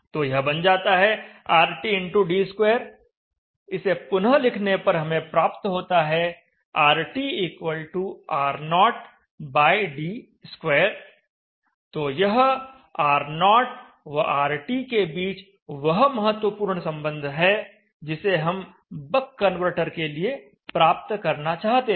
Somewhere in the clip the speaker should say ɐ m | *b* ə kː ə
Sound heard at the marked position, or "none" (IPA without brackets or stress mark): b